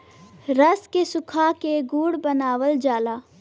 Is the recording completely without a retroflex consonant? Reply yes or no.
no